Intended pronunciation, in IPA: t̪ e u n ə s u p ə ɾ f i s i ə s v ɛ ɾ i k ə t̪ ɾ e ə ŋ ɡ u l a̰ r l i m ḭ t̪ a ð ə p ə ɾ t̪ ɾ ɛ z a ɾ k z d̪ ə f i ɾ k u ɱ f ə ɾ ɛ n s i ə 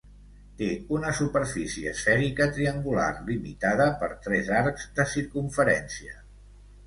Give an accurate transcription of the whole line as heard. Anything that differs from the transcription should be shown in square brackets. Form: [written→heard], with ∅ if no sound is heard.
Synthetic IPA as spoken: t̪ e u n ə s u p ə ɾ f i s i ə s [v→f] ɛ ɾ i k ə t̪ ɾ [e→i] ə ŋ ɡ u l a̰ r l i m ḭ t̪ a ð ə p ə ɾ t̪ ɾ ɛ z a ɾ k z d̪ ə [f→s] i ɾ k u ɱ f ə ɾ ɛ n s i ə